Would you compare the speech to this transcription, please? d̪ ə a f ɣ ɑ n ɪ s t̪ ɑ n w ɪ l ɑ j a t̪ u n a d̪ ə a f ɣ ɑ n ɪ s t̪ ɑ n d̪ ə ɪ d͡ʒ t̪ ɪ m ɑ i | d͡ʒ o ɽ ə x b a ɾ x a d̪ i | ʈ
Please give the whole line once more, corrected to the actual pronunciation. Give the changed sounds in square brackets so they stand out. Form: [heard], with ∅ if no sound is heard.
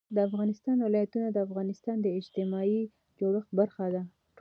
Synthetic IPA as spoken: d̪ ə a f ɣ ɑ n ɪ s t̪ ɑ n w ɪ l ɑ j a t̪ u n a d̪ ə a f ɣ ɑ n ɪ s t̪ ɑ n d̪ ə ɪ d͡ʒ t̪ ɪ m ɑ i | d͡ʒ o ɽ ə x b a ɾ x a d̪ [a] | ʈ